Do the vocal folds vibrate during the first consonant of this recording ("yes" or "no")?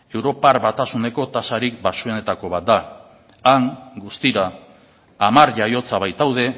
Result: yes